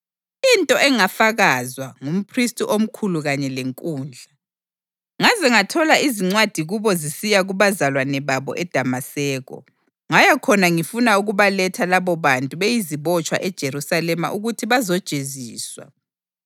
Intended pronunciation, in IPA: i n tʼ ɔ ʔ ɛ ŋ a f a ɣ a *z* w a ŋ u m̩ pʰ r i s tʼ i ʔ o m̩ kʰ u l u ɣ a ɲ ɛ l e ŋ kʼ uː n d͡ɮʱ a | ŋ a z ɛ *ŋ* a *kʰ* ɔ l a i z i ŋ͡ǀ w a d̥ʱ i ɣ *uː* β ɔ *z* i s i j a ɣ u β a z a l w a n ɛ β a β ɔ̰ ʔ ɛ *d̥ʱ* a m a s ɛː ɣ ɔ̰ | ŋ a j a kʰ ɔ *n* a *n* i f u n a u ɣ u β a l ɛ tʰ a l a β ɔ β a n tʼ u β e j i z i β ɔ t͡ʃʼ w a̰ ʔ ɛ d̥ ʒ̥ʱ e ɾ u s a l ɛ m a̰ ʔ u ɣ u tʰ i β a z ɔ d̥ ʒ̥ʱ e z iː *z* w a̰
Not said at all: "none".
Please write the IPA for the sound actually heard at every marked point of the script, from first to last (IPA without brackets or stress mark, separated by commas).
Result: z, ŋ, tʰ, u, z, d̥ʱ, n, ŋ, s